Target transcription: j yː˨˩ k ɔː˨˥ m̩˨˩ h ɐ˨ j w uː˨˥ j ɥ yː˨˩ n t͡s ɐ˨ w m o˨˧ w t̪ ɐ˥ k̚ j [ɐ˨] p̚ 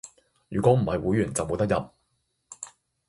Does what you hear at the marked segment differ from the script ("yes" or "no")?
no